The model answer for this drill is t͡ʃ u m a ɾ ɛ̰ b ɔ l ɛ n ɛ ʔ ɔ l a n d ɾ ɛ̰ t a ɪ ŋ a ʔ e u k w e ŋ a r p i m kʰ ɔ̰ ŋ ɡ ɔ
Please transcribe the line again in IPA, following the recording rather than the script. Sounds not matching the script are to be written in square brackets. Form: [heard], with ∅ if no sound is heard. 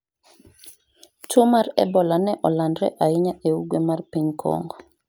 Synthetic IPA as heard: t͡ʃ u m a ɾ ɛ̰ b ɔ l [a] n ɛ ʔ ɔ l a n d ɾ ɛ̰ [ʔ] a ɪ [ɲ] a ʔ e u [ɡ] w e [m] a r p i [ɲ] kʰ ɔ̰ ŋ ɡ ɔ